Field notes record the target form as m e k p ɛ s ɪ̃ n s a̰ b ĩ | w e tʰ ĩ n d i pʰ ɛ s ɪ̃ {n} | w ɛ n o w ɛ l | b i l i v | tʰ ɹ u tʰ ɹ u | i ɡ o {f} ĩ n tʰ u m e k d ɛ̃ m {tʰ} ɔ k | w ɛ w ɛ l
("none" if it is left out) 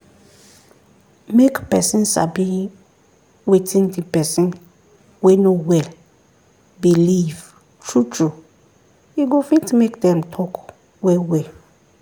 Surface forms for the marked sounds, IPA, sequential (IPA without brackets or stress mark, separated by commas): n, f, tʰ